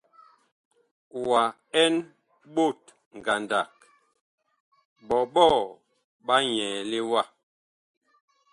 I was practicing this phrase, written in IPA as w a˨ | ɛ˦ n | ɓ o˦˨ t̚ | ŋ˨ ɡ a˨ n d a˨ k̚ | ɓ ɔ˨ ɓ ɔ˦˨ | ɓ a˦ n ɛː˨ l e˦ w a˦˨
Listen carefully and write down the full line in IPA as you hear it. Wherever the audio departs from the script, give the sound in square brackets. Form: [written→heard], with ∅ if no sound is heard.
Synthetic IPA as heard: w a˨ | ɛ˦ n | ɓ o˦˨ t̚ | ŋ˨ ɡ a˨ n d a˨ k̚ | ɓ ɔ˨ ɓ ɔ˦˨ | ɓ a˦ [n→ɲ] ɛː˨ l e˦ w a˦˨